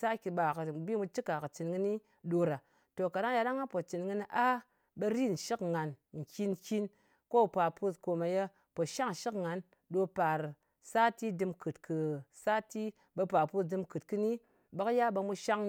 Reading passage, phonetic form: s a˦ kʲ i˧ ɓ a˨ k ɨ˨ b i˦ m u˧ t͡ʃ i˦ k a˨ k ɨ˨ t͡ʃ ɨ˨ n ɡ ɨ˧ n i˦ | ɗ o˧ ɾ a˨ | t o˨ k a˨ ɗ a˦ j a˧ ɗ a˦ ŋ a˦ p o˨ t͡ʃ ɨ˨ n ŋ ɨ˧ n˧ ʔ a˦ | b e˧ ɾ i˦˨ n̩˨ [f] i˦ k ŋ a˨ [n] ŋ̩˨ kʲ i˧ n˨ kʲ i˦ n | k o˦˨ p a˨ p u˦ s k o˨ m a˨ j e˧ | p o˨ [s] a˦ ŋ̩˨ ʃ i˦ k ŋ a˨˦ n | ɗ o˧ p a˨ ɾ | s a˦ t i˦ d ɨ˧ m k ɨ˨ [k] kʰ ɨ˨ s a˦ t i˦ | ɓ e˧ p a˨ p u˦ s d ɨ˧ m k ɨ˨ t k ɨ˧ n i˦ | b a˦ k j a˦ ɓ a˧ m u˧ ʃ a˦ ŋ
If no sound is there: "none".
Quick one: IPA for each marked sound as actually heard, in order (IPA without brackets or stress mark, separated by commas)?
ʃ, n, ʃ, t